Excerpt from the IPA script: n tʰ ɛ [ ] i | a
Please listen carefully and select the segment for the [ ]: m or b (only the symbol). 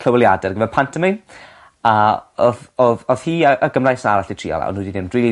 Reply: m